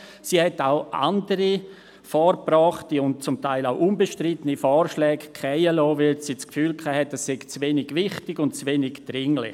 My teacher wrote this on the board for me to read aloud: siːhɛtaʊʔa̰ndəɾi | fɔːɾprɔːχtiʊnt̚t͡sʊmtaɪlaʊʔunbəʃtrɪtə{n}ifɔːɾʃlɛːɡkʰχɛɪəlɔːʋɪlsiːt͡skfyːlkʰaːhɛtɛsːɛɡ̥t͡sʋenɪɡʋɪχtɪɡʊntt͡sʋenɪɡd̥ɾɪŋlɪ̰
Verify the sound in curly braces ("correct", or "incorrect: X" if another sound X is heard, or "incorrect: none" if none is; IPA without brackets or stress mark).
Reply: correct